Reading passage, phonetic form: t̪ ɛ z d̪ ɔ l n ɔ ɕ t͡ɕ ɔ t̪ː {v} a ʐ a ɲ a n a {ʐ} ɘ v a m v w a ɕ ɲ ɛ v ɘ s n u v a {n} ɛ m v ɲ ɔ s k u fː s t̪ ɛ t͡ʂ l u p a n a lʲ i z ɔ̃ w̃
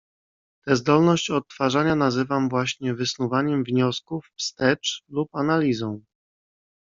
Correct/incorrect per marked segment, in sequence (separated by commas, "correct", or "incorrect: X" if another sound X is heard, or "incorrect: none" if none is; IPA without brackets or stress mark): incorrect: f, incorrect: z, incorrect: ɲ